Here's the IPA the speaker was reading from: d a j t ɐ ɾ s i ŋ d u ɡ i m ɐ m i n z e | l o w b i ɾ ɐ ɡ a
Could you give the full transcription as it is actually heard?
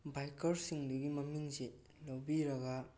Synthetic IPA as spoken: b a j k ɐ ɾ s i ŋ d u ɡ i m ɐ m i ŋ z e | l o w b i ɾ ɐ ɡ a